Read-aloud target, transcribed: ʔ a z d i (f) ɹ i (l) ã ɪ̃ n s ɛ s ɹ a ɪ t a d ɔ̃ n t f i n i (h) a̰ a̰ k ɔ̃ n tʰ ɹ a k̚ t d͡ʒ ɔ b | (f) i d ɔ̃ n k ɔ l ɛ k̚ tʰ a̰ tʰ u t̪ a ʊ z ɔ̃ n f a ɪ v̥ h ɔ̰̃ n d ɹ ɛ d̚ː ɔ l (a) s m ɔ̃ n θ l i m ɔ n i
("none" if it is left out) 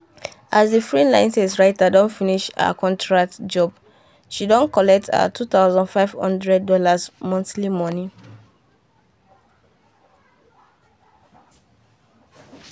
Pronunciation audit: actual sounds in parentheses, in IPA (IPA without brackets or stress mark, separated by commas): f, l, ʃ, ʃ, a